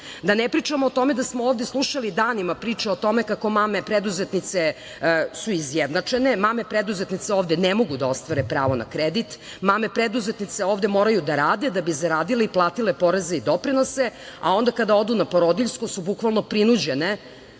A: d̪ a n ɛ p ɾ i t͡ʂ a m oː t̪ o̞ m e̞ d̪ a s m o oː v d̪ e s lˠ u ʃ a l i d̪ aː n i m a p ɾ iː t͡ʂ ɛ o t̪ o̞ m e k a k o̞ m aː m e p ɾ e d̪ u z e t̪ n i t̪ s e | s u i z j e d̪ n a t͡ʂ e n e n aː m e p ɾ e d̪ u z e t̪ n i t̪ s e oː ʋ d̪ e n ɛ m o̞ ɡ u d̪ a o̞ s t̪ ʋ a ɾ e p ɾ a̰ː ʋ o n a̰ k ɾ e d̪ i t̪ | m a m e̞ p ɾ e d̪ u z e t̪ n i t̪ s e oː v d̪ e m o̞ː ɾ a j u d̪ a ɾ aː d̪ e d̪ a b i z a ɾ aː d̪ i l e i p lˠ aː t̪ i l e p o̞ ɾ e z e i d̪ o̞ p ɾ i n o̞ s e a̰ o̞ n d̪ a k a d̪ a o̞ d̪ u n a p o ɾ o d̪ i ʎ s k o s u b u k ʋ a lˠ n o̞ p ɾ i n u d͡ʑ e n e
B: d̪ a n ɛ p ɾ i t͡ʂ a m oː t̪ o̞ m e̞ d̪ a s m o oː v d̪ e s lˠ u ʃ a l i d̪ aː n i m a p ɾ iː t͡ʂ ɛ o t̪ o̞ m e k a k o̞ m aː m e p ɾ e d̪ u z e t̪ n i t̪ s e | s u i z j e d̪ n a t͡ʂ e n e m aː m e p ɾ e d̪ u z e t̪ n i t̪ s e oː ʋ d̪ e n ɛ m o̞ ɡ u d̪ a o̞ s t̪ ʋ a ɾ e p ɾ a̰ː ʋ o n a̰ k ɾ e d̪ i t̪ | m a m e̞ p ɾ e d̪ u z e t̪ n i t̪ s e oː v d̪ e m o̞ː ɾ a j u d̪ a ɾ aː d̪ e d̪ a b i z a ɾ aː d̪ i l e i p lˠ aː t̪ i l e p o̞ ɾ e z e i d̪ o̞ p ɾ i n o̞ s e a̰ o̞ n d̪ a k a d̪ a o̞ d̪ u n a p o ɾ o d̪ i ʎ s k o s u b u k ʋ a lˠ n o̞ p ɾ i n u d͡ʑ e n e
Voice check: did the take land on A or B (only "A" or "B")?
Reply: B